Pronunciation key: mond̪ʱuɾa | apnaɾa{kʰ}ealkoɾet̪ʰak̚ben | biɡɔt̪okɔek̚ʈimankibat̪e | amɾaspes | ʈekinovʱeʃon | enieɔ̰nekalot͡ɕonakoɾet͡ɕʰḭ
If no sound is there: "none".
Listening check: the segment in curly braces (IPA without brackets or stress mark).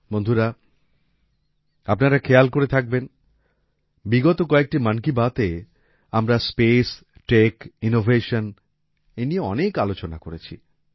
kʰ